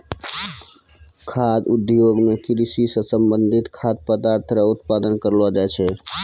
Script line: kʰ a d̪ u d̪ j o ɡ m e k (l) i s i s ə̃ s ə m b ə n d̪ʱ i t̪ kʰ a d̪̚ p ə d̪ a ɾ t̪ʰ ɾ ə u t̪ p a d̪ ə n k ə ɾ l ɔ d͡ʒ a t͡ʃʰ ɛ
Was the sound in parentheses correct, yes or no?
no